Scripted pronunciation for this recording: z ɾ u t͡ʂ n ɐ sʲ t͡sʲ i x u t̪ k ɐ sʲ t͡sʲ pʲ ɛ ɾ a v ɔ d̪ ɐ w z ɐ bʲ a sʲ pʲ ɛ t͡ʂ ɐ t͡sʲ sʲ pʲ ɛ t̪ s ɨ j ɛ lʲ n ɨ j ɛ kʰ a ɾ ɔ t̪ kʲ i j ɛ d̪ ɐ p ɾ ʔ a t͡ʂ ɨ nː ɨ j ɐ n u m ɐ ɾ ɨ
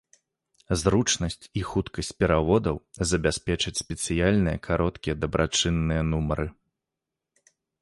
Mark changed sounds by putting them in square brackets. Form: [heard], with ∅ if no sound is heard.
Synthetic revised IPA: z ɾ u t͡ʂ n ɐ sʲ t͡sʲ i x u t̪ k ɐ sʲ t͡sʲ pʲ ɛ ɾ a v ɔ d̪ ɐ w z ɐ bʲ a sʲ pʲ ɛ t͡ʂ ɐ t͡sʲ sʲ pʲ ɛ t̪ s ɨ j [a] lʲ n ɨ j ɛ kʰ a ɾ ɔ t̪ kʲ i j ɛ d̪ ɐ [b] ɾ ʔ a t͡ʂ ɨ nː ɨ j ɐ n u m ɐ ɾ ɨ